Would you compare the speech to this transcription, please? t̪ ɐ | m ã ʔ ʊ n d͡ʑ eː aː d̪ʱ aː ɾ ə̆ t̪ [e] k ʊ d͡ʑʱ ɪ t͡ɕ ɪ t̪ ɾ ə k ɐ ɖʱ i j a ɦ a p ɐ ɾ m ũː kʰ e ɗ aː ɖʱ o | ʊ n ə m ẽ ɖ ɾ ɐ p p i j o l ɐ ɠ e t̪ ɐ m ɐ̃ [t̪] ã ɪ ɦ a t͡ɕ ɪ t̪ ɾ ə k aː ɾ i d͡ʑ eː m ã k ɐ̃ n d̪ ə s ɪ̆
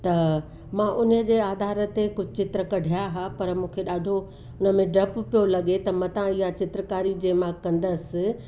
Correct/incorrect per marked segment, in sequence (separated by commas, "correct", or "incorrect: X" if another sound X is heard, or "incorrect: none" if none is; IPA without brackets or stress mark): correct, correct